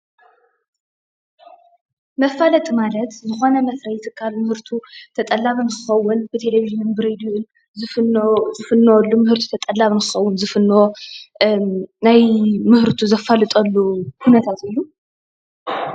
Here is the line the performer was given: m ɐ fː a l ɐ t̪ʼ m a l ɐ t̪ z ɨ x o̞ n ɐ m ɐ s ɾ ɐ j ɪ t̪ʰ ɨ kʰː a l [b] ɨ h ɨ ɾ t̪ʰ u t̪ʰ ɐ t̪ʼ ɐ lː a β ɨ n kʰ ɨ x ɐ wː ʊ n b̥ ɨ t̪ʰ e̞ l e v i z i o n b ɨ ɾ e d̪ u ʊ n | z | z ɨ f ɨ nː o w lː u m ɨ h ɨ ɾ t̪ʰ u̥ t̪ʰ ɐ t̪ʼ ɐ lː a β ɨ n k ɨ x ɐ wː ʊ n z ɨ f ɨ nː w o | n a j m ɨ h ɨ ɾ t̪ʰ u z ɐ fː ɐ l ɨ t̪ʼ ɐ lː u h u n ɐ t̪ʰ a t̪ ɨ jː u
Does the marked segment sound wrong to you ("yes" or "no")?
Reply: yes